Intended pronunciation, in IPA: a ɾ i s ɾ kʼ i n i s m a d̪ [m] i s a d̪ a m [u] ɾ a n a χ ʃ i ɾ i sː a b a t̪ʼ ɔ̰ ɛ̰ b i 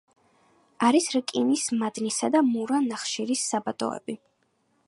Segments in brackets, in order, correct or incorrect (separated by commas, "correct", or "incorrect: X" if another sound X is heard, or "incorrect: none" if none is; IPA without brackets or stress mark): incorrect: n, correct